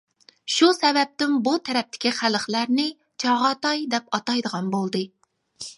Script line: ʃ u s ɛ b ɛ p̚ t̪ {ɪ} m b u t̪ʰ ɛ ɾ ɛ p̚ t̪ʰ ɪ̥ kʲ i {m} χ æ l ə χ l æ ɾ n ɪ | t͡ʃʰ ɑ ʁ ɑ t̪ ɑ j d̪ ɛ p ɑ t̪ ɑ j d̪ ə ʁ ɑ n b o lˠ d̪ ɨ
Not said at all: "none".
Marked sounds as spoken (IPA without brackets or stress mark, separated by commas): ɪ, none